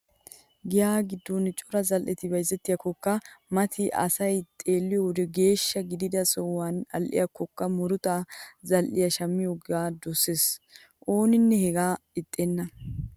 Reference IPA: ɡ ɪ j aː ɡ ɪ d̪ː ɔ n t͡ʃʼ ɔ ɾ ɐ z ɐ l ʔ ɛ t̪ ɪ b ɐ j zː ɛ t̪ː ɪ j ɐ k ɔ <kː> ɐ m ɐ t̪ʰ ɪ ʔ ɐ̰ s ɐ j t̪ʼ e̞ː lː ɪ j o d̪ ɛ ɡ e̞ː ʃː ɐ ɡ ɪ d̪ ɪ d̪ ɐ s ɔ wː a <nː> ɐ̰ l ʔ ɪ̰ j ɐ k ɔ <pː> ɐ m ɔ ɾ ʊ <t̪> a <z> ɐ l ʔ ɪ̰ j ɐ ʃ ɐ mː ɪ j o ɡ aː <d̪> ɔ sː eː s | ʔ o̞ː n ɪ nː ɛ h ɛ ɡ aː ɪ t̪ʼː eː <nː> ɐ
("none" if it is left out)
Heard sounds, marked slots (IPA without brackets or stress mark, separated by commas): kː, n, kː, t̪, z, d̪, nː